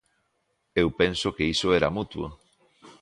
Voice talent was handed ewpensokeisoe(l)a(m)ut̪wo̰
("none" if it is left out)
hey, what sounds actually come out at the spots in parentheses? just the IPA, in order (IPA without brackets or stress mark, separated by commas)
ɾ, m